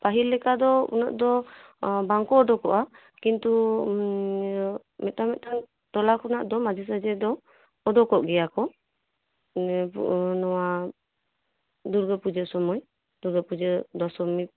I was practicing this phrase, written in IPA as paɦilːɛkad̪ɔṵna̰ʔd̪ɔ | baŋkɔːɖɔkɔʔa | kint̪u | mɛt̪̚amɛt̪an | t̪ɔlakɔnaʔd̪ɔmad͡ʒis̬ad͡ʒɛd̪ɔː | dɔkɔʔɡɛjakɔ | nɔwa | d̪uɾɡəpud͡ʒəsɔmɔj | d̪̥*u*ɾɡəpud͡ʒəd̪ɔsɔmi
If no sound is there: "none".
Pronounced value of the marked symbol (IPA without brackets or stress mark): u